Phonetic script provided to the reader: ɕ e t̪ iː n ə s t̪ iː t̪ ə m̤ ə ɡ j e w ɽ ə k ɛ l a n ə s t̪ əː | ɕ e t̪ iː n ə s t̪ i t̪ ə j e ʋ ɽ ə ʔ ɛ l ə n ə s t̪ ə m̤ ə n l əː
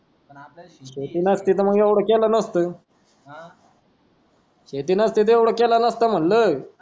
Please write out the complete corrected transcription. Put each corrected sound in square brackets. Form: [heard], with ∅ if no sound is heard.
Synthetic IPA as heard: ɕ e t̪ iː n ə s t̪ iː t̪ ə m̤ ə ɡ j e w ɽ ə k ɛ l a n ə s t̪ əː | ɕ e t̪ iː n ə s t̪ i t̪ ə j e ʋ ɽ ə [k] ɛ l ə n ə s t̪ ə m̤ ə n l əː